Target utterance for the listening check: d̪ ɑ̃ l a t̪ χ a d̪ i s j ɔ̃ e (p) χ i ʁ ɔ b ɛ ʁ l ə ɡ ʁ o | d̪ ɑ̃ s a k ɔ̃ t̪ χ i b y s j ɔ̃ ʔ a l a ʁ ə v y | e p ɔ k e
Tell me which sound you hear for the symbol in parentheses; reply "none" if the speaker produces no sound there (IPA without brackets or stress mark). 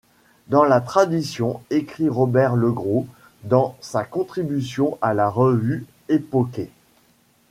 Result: k